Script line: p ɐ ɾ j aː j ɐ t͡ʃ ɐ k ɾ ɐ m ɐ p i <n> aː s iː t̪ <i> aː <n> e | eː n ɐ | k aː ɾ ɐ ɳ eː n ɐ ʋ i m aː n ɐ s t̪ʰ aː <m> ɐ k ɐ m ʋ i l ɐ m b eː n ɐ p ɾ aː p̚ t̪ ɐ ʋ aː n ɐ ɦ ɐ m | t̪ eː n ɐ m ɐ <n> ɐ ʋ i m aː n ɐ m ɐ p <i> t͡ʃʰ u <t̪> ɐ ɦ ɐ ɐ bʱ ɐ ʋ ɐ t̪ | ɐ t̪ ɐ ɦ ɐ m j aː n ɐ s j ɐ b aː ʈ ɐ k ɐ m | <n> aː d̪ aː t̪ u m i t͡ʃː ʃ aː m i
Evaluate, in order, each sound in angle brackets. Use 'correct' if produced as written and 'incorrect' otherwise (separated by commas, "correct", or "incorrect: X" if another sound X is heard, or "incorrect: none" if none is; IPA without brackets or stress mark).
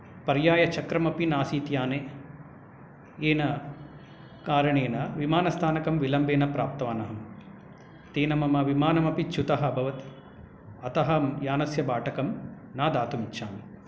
correct, incorrect: j, correct, incorrect: n, incorrect: m, correct, correct, correct